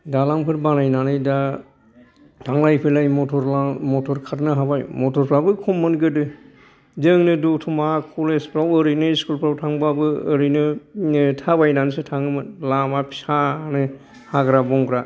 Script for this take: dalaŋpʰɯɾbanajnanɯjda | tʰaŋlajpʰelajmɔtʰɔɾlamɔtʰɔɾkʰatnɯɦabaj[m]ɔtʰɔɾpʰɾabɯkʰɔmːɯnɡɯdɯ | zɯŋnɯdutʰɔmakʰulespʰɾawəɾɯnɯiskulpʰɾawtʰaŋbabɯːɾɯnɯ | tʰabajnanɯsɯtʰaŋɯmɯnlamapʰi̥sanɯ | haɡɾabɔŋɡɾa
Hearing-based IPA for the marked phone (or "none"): m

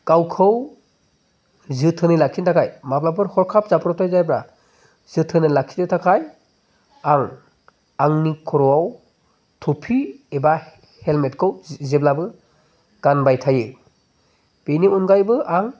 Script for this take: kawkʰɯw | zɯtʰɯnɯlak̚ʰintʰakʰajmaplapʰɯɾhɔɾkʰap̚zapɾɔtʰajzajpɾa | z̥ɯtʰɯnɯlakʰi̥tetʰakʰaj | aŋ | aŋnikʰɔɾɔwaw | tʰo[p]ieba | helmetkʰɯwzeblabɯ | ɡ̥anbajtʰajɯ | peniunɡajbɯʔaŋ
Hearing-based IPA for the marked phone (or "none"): pʰ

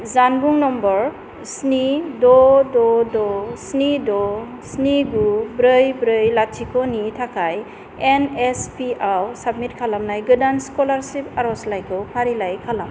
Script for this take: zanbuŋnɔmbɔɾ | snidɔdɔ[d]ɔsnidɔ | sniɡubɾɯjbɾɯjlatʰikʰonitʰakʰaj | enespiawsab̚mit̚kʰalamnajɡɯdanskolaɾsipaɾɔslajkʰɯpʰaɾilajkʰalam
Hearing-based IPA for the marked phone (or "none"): d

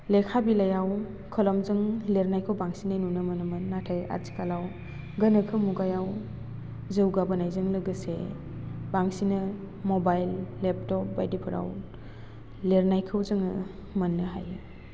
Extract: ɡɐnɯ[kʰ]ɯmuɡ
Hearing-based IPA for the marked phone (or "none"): kʰ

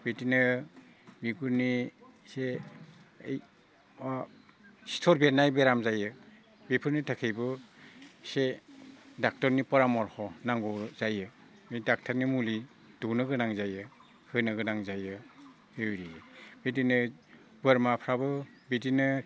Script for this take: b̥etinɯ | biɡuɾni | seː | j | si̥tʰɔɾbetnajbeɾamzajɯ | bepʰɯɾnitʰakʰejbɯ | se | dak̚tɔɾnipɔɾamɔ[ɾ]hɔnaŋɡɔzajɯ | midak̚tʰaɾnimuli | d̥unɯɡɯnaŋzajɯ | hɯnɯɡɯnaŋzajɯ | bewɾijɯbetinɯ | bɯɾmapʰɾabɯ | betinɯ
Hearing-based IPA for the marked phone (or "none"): ɾ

